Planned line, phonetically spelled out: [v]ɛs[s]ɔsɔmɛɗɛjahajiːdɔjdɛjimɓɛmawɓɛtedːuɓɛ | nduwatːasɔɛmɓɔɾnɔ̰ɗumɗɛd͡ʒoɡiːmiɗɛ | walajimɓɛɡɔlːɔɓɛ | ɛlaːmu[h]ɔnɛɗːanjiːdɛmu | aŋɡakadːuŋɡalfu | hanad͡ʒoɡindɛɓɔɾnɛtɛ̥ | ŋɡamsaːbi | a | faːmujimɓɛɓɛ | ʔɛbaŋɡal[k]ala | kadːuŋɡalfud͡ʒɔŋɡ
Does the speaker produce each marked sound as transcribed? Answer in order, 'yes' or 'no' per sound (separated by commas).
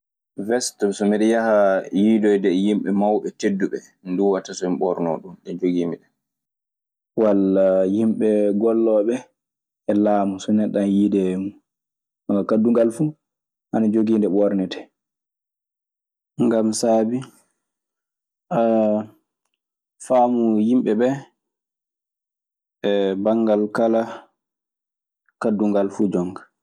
yes, no, no, yes